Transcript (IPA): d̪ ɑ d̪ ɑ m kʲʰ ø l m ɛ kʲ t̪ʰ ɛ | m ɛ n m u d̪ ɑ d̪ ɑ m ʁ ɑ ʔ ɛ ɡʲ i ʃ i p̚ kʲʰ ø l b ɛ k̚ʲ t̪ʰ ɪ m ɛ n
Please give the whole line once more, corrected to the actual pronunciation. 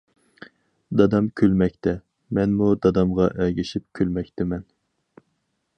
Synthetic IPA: d̪ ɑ d̪ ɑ m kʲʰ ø l m ɛ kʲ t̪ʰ ɛ | m ɛ n m u d̪ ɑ d̪ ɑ m ʁ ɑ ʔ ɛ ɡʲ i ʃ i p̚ kʲʰ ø l m ɛ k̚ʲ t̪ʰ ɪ m ɛ n